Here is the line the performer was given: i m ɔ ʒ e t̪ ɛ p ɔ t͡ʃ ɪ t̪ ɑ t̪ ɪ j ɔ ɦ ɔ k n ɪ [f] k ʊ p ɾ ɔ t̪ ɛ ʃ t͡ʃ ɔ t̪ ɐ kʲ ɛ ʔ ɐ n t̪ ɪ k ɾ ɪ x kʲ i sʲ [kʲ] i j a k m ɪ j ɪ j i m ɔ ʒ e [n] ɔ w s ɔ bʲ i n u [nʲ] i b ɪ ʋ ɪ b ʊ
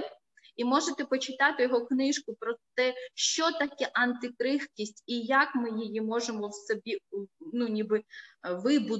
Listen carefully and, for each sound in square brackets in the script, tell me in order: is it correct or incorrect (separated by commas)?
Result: incorrect, incorrect, incorrect, correct